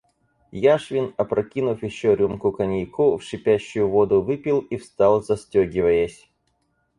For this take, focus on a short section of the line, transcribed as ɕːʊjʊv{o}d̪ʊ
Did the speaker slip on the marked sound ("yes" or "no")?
no